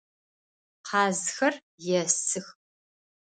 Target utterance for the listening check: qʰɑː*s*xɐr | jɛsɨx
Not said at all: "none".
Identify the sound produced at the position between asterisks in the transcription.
z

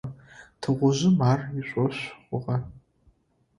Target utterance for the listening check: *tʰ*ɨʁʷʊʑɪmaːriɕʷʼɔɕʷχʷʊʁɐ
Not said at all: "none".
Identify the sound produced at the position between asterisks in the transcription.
tʰ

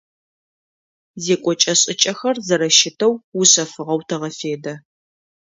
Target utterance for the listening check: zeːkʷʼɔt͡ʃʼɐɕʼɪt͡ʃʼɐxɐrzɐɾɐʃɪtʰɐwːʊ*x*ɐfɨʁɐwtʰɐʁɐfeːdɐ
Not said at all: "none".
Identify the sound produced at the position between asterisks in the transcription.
ɕ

